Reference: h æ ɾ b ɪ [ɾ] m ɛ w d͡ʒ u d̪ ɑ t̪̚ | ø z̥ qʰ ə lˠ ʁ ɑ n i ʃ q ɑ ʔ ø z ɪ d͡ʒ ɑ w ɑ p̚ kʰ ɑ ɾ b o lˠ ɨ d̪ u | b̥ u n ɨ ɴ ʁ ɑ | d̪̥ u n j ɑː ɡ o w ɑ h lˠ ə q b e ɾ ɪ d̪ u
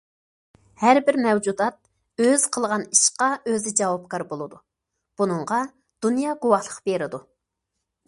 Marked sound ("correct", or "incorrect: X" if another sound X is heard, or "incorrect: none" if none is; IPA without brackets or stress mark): correct